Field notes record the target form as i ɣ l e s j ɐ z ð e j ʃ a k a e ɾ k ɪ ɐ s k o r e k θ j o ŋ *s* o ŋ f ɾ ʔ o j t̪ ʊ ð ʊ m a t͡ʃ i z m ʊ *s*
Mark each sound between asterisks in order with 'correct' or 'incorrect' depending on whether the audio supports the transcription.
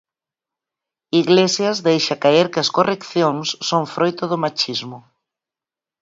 incorrect: sː, incorrect: none

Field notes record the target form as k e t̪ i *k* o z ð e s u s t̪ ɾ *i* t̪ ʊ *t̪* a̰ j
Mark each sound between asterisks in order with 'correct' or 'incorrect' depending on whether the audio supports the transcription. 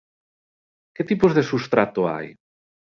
incorrect: p, incorrect: a, incorrect: none

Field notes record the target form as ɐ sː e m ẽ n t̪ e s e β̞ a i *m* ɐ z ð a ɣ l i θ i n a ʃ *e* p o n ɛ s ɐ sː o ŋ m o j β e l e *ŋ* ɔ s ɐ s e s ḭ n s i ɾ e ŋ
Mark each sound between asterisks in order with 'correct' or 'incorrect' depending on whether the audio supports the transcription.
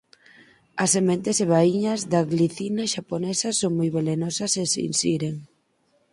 incorrect: ɲ, incorrect: a, incorrect: n

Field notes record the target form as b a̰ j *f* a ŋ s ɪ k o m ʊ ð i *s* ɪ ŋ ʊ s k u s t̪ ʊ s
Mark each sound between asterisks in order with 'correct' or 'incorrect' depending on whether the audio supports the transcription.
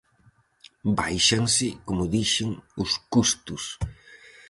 incorrect: ʃ, incorrect: ʃ

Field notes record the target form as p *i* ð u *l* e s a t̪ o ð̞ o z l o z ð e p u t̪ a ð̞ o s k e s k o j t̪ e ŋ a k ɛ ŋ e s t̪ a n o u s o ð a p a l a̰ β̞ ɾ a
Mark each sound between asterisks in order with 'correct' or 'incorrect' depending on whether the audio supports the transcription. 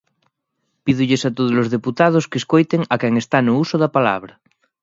correct, incorrect: ʎ

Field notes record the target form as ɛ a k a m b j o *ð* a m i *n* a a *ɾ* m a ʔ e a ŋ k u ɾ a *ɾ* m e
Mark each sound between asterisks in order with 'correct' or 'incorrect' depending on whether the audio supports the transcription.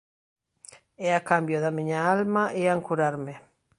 correct, incorrect: ɲ, incorrect: l, correct

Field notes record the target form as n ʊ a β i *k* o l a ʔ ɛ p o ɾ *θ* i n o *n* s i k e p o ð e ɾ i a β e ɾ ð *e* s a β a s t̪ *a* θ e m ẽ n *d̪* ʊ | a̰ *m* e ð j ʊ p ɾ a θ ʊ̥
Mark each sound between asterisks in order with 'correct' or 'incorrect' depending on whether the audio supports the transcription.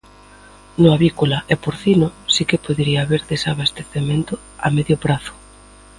correct, correct, incorrect: none, correct, incorrect: e, incorrect: t̪, correct

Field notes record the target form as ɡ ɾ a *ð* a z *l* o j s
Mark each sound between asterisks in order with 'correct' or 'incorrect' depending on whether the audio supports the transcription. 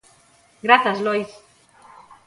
incorrect: θ, correct

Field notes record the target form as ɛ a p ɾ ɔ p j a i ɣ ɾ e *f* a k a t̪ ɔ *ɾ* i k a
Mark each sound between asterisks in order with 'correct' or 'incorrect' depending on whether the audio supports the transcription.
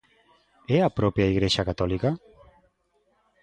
incorrect: ʃ, incorrect: l

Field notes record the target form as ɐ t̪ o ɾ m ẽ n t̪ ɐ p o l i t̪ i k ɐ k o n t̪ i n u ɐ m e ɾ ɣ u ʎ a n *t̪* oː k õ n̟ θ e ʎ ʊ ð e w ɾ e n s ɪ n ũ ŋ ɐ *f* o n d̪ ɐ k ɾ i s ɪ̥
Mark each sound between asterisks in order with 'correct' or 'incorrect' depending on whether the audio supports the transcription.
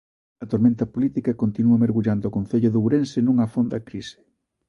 incorrect: d̪, correct

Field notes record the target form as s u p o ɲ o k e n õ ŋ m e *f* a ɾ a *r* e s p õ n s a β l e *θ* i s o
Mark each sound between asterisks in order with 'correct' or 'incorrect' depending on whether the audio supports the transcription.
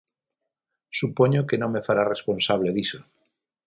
correct, correct, incorrect: ð

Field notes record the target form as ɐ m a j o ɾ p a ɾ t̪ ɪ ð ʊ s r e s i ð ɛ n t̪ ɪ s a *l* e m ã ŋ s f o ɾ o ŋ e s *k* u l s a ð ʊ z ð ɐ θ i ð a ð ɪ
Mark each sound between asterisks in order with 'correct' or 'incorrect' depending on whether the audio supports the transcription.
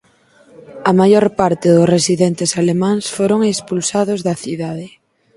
correct, incorrect: p

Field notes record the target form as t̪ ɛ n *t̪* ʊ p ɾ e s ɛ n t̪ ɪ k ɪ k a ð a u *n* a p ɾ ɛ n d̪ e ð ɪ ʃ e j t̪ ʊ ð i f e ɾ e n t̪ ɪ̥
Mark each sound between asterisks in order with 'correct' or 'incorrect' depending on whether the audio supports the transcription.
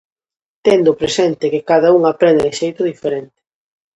incorrect: d̪, incorrect: ŋ

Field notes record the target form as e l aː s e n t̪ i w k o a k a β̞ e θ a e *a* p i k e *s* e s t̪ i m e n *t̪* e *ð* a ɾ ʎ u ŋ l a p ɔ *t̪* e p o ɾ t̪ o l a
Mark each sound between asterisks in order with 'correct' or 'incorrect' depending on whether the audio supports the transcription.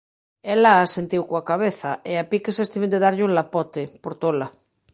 correct, correct, incorrect: d̪, correct, correct

